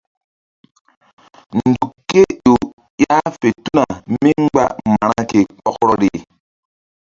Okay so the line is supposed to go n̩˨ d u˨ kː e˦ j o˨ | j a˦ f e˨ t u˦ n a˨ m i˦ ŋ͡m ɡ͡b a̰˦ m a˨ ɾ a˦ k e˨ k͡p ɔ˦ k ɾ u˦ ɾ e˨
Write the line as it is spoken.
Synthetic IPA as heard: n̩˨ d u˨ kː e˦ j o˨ | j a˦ f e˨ t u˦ n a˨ m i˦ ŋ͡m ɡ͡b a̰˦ m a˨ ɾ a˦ k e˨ k͡p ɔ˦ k ɾ ɔ˦ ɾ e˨